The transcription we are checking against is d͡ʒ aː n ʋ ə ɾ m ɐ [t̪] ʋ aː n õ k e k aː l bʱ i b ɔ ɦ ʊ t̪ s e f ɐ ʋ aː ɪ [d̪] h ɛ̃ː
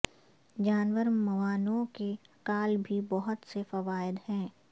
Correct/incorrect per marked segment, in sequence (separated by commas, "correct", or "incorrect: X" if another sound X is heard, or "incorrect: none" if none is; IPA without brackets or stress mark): incorrect: none, correct